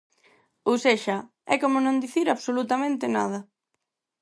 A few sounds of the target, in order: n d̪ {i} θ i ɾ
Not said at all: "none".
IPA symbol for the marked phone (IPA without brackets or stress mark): i